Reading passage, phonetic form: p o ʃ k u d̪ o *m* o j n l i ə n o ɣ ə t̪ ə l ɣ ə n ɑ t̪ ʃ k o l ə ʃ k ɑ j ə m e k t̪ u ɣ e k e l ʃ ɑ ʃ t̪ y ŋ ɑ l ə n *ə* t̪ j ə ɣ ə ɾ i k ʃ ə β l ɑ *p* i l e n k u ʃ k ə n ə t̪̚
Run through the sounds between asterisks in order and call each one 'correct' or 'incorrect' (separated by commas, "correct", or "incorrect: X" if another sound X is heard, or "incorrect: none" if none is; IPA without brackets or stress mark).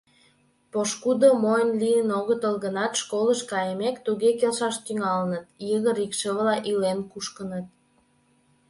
correct, correct, incorrect: ʔ